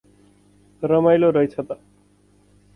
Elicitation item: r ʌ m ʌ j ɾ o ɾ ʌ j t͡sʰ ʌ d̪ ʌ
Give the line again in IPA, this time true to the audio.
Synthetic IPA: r ʌ m a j l o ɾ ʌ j t͡sʰ ʌ t̪ ʌ